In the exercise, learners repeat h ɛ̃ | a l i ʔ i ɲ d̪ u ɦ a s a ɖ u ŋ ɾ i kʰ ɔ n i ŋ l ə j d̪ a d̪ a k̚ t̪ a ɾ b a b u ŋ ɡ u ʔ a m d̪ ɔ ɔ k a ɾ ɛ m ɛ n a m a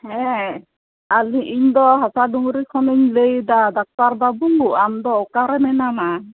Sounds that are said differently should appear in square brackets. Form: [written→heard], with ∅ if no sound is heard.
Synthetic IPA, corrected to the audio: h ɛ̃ | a l i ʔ i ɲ d̪ [u→ɔ] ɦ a s a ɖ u ŋ ɾ i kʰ ɔ n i [ŋ→ɲ] l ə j d̪ a d̪ a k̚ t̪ a ɾ b a b u ŋ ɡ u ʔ a m d̪ ɔ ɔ k a ɾ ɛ m ɛ n a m a